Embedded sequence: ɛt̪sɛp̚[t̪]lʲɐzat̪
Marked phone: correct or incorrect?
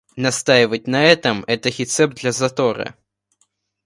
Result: incorrect